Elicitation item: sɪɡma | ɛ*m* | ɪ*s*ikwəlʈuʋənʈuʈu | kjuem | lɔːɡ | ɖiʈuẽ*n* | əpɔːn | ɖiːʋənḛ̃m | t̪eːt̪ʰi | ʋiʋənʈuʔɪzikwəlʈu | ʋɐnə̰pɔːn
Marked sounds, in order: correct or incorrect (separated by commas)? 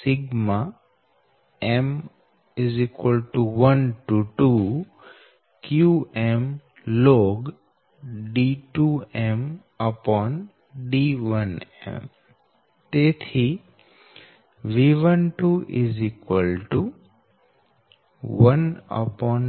correct, incorrect, incorrect